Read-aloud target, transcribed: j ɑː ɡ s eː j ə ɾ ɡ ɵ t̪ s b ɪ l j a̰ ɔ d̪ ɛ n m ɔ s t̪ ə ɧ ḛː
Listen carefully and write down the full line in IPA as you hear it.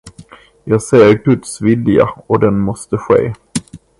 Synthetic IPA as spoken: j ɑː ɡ s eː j ə ɾ ɡ ɵ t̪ s v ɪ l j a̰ ɔ d̪ ɛ n m ɔ s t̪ ə ɧ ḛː